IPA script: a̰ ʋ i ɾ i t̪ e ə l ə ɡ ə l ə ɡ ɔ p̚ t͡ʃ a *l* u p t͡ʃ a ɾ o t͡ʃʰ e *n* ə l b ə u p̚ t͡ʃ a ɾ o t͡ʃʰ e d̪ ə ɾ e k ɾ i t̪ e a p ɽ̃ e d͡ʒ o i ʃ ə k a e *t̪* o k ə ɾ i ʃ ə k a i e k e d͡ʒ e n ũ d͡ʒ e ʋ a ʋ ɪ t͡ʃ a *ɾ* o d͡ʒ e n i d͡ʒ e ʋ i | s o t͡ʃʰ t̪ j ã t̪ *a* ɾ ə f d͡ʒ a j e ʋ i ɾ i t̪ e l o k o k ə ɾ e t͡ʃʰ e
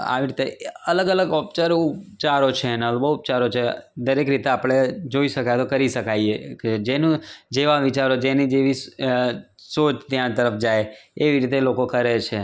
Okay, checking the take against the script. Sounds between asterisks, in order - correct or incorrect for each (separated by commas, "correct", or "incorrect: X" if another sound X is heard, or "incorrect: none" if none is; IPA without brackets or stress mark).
incorrect: ɾ, correct, correct, correct, incorrect: ə